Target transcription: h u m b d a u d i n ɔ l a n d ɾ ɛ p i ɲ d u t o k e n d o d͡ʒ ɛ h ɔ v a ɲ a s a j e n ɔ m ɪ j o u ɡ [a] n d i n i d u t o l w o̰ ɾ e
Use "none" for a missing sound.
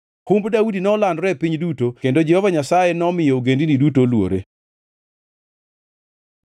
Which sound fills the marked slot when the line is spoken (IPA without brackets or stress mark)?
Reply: e